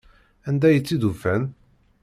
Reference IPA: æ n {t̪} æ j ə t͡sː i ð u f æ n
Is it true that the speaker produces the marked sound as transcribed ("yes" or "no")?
no